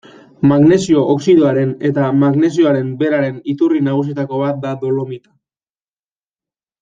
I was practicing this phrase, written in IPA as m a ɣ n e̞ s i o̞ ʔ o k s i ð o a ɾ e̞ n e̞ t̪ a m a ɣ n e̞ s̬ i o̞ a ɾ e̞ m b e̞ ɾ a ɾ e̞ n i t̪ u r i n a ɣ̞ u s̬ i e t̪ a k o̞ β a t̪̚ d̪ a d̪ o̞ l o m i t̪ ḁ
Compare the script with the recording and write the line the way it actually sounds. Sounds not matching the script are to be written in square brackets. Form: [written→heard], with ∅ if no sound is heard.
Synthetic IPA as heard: m a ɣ n e̞ s i o̞ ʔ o k s i ð o a ɾ e̞ n e̞ t̪ a m a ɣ n e̞ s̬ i o̞ a ɾ e̞ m b e̞ ɾ a ɾ e̞ n i t̪ u r i n a ɣ̞ u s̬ i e t̪ a k o̞ β a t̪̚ d̪ a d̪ o̞ l o m i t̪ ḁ